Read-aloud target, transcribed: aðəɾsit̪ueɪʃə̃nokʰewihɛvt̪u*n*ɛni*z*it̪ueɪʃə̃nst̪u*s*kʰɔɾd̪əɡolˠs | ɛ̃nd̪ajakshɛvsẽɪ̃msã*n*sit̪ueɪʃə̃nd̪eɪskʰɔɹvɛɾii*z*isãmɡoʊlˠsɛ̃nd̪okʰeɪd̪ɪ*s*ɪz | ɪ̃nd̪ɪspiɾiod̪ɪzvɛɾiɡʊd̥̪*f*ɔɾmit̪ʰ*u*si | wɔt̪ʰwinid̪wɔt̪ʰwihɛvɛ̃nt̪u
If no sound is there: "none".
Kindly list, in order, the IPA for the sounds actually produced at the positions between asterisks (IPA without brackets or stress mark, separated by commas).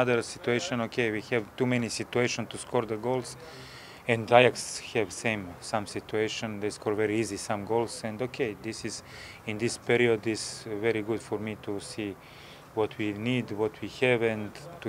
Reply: m, s, s, m, z, s, f, u